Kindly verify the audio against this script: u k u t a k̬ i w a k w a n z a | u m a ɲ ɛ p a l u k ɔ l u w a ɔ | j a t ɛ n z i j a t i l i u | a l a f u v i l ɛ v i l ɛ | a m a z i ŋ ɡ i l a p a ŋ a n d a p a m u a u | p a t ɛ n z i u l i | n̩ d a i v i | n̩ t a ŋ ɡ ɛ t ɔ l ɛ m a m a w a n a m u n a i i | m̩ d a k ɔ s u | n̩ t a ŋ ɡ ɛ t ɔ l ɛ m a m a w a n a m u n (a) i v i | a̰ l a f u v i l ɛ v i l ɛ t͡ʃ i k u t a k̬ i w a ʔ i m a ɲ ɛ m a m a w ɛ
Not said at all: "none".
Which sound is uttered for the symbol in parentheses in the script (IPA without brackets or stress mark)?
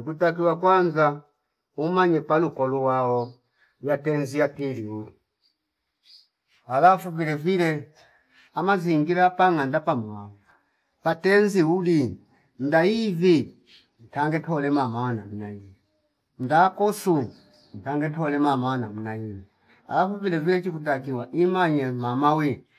a